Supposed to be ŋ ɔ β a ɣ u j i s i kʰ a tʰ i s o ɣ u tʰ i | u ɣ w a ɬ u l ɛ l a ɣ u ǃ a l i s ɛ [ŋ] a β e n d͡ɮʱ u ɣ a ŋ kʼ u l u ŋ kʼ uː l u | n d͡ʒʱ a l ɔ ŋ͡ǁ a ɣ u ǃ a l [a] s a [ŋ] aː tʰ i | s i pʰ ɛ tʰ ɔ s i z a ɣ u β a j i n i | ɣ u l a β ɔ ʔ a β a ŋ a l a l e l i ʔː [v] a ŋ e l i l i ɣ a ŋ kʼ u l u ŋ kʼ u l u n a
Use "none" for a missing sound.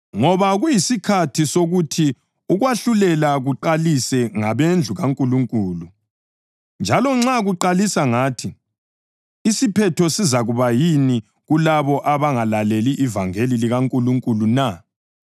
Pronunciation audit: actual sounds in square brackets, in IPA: ŋ, i, ŋ, v

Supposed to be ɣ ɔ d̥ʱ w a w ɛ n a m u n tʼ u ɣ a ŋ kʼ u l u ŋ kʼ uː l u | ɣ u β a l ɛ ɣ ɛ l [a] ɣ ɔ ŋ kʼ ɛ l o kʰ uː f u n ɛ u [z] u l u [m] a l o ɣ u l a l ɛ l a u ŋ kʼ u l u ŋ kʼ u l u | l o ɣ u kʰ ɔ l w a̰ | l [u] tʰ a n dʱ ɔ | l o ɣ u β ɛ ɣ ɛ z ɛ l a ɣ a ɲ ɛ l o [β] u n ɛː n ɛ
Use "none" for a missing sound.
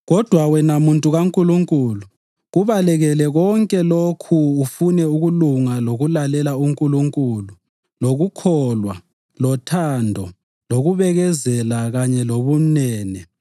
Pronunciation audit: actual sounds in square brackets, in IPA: ɛ, ɣ, ŋ, ɔ, β

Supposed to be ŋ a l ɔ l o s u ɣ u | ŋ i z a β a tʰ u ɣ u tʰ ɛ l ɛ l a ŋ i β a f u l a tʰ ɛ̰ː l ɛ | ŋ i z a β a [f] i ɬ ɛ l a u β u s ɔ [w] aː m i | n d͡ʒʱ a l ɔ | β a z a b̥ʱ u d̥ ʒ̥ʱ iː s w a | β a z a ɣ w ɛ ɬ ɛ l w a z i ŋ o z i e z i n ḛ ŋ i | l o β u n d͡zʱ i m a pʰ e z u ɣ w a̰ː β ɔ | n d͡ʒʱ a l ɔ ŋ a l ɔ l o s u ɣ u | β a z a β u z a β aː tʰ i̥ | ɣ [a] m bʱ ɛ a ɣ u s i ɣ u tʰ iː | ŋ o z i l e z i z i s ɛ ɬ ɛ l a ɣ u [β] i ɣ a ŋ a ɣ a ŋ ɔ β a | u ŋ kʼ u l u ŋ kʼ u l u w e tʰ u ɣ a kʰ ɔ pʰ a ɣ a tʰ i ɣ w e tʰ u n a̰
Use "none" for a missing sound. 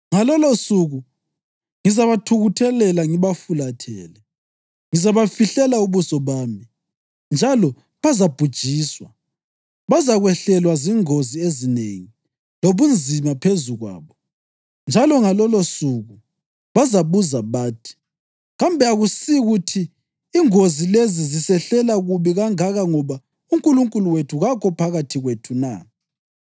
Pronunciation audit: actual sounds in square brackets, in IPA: f, β, a, β

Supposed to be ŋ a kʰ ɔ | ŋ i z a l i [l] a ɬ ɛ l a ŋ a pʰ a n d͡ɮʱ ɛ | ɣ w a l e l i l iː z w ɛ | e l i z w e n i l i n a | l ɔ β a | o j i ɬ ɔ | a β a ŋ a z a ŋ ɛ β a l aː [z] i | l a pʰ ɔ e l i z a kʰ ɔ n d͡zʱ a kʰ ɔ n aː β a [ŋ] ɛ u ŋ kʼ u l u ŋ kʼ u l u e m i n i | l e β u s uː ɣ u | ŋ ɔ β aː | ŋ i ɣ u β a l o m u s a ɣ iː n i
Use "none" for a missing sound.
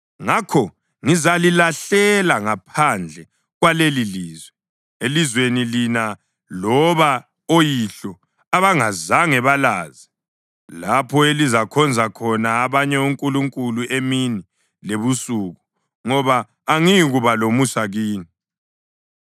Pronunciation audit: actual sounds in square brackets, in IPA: l, z, ɲ

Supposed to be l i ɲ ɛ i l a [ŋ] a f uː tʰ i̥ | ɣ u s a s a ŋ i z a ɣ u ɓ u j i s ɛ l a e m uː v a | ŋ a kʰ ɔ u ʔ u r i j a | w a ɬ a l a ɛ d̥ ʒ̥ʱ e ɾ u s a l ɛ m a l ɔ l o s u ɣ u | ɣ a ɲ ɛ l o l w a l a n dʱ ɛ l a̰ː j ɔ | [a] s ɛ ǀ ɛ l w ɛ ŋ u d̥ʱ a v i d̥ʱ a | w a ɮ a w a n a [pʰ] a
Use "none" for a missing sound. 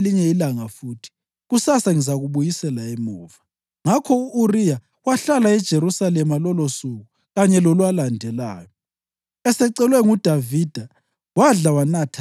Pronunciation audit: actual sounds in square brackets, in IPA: ŋ, ɛ, tʰ

